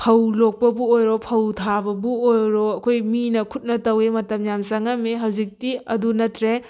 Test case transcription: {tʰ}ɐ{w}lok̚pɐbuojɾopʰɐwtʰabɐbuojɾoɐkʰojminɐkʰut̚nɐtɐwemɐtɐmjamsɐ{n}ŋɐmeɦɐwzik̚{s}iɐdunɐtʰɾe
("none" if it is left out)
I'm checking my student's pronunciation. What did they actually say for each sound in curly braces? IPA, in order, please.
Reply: pʰ, w, none, t

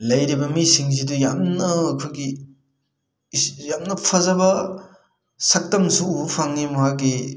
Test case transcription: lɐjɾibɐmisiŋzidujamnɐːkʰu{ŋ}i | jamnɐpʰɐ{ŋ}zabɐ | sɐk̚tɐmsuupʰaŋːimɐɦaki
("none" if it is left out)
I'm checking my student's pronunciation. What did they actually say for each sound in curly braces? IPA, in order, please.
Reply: ɡ, none

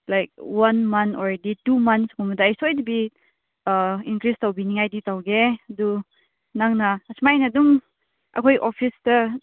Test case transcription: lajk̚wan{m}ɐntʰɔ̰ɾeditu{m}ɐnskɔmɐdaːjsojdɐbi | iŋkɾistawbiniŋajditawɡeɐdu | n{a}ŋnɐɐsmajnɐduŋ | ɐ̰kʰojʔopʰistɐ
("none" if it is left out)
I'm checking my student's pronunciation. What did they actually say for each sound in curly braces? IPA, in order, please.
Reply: m, m, a

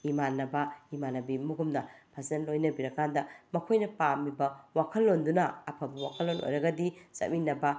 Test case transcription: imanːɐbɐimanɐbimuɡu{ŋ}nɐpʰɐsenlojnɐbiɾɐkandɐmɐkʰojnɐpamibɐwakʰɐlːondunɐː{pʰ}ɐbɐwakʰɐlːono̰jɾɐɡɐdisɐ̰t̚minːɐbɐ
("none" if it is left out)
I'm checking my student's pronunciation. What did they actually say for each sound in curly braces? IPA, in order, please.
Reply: m, pʰ

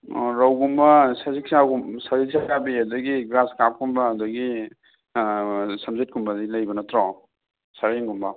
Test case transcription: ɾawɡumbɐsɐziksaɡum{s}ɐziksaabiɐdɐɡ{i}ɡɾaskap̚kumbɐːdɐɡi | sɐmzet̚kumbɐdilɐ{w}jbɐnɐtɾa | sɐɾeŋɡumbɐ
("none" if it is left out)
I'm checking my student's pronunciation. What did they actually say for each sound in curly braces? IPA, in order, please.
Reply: s, i, none

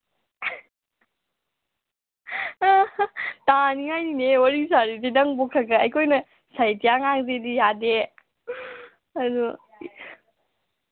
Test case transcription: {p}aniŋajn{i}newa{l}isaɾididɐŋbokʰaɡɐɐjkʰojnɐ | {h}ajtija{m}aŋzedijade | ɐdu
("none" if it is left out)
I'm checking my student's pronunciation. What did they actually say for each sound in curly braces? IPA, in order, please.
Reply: t, i, ɾ, s, ŋ

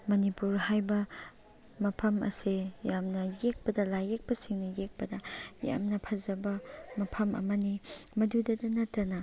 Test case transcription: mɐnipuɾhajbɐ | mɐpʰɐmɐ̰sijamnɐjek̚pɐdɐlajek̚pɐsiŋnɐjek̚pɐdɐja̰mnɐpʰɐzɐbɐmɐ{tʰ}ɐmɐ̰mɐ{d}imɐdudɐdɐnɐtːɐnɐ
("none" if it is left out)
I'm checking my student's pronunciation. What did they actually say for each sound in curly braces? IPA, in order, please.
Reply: pʰ, n

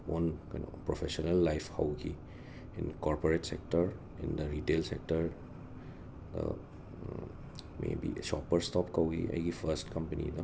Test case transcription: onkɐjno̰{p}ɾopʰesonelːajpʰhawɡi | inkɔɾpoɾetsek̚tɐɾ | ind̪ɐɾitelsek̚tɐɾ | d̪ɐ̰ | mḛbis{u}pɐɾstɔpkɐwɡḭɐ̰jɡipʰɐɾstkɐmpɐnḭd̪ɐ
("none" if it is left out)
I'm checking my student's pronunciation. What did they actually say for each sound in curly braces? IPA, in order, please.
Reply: p, ɔ

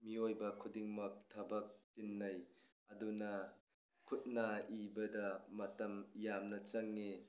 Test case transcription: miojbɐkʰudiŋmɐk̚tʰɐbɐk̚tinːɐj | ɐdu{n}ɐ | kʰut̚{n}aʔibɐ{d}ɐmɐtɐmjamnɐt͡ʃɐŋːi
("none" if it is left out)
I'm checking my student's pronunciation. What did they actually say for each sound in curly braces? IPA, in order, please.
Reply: n, n, d

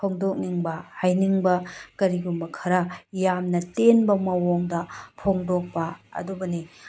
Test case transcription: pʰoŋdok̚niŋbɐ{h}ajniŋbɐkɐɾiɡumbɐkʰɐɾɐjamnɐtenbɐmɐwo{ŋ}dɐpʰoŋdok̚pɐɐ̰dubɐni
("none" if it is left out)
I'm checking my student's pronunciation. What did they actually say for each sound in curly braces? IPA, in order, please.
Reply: h, ŋ

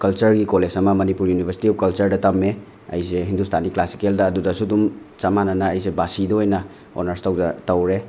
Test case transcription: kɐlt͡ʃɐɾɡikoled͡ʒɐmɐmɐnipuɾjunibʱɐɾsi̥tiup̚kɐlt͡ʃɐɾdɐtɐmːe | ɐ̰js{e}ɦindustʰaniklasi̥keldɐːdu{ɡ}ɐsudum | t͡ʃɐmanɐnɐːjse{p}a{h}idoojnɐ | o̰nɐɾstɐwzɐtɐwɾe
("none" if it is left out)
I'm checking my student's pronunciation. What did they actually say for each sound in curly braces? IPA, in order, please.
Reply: e, d, b, s

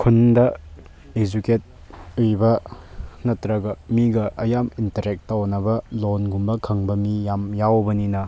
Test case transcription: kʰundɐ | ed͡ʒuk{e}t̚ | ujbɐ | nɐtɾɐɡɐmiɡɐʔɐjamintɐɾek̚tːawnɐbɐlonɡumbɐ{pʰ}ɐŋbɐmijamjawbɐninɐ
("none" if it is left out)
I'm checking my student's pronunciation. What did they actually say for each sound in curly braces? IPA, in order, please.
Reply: e, kʰ

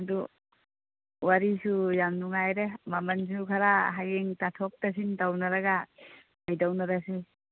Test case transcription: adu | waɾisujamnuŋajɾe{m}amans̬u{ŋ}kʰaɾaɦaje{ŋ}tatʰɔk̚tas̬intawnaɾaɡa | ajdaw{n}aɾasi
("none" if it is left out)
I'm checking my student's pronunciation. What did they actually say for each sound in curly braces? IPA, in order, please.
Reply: m, none, ŋ, n

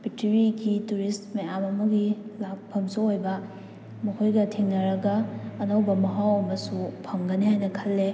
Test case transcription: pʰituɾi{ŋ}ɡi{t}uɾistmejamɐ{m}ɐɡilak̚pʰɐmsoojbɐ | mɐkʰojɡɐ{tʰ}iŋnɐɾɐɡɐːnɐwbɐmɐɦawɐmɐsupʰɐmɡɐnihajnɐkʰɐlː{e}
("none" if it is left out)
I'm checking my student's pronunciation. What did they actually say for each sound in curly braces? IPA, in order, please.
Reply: none, t, m, tʰ, e

